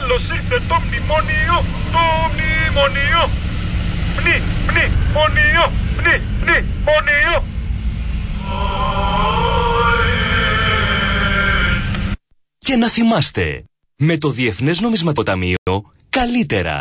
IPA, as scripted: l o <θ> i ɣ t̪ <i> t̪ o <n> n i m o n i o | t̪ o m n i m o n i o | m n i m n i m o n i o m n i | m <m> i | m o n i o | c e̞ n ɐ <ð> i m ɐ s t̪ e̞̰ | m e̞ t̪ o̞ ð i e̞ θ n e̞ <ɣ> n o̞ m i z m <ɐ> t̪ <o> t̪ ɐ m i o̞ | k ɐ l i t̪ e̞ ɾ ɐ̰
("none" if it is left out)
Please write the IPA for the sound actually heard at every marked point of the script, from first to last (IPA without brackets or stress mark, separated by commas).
s, e, m, n, θ, z, ɐ, o